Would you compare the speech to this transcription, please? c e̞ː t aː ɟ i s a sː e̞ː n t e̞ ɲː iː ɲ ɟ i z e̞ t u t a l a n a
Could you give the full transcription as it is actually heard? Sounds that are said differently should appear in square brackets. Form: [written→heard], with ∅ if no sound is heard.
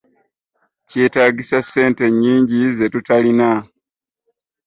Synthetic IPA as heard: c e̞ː t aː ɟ i s a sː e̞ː n t e̞ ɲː iː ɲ ɟ i z e̞ t u t a l [a→i] n a